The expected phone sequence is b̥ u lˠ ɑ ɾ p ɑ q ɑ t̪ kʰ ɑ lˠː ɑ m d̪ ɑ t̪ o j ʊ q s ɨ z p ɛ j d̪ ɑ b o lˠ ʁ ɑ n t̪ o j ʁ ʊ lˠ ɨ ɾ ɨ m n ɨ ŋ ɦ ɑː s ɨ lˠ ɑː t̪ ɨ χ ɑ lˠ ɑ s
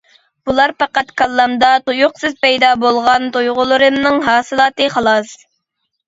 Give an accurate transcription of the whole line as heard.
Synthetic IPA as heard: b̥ u lˠ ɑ ɾ p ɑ q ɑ t̪ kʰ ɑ lˠː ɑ m d̪ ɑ t̪ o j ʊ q s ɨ z p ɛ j d̪ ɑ b o lˠ ʁ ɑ n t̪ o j ʁ ʊ lˠ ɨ ɾ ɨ m n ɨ ŋ ɦ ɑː s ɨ lˠ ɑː t̪ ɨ χ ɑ lˠ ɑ s

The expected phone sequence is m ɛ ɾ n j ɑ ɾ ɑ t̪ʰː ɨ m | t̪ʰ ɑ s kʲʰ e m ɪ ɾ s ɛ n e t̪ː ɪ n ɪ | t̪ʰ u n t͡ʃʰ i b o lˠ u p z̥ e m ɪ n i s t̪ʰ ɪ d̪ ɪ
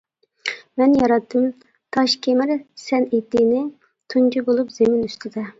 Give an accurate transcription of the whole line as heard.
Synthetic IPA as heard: m ɛ n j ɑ ɾ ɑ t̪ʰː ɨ m | t̪ʰ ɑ ʃ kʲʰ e m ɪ ɾ s ɛ n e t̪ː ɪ n ɪ | t̪ʰ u n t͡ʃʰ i b o lˠ u p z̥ e m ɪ n y s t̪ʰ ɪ d̪ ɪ

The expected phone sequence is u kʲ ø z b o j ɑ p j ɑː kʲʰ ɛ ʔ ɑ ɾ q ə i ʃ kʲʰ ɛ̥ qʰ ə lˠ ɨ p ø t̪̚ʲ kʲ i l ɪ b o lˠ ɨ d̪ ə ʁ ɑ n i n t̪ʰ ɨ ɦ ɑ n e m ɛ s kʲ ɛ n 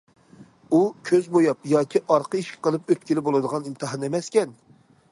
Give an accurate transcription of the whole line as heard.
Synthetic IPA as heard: u kʲʰ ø z b o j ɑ p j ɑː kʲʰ i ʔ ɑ ɾ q ə i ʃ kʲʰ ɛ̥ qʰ ə lˠ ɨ p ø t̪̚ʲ kʲ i l ɪ b o lˠ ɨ d̪ ə ʁ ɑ n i n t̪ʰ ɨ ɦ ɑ n e m ɛ s kʲ ɛ n

